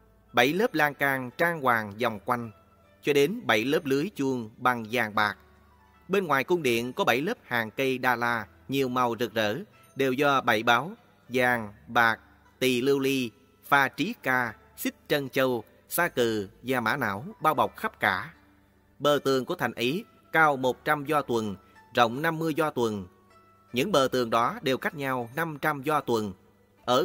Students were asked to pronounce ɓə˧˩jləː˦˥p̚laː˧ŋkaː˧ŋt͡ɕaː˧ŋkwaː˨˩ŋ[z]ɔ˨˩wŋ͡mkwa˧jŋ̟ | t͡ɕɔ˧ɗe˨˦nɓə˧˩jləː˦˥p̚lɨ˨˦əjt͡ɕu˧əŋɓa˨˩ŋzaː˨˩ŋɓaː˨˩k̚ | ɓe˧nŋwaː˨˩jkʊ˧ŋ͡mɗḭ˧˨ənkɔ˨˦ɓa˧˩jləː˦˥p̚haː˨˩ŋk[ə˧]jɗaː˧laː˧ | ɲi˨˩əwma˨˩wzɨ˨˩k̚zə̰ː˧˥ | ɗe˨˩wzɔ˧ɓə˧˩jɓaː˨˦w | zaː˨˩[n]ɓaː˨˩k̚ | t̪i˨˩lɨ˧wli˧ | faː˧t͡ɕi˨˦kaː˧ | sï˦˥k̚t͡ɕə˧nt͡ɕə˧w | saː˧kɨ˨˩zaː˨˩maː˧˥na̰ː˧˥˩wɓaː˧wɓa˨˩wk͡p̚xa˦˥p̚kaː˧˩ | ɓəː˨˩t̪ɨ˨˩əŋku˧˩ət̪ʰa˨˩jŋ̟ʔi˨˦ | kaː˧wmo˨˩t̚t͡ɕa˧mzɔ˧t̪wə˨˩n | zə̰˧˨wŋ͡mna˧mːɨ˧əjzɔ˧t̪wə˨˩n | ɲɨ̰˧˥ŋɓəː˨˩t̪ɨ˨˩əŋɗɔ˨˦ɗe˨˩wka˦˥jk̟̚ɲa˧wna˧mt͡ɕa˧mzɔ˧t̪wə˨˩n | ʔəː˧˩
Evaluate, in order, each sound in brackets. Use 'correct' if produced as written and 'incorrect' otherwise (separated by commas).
correct, correct, incorrect